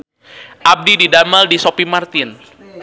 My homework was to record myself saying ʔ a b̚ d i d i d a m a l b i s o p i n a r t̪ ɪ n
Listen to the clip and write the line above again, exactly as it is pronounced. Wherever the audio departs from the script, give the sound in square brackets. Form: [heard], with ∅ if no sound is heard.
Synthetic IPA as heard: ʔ a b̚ d i d i d a m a l [d] i s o p i [m] a r t̪ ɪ n